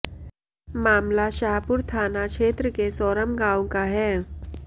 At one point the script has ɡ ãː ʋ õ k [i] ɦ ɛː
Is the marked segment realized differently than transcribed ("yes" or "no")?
yes